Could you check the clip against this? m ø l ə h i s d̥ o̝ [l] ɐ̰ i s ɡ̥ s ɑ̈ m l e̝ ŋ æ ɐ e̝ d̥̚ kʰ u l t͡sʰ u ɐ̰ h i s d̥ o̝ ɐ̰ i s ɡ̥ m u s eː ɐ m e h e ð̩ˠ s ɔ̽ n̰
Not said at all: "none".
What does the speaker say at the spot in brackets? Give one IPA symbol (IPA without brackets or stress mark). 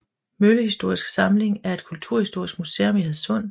none